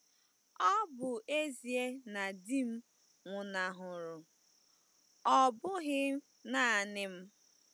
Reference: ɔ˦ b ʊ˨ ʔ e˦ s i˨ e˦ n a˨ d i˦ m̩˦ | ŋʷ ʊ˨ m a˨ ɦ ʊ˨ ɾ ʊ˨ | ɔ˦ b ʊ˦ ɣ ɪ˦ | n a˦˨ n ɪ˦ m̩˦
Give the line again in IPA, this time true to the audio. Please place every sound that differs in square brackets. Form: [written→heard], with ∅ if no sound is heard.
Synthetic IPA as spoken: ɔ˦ b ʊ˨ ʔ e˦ [s→z] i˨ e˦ n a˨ d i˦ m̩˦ | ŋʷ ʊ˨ [m→n] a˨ ɦ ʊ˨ ɾ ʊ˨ | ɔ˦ b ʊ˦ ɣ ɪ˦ | n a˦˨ n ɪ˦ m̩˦